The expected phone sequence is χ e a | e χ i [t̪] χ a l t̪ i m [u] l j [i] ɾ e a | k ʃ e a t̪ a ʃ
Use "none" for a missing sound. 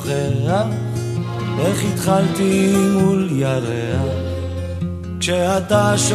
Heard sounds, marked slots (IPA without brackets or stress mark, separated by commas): t̪, u, a